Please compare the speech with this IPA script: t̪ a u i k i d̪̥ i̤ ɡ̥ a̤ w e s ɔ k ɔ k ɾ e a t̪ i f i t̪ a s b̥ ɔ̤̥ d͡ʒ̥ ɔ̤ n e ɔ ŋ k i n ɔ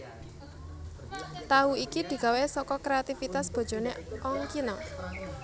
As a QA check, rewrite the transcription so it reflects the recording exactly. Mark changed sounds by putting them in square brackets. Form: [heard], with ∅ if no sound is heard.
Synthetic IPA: t̪ a u i k i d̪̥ i̤ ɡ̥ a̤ w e s ɔ k ɔ k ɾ e a t̪ i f i t̪ a s b̥ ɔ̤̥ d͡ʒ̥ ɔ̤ n e ɔ ŋ k i n ɔ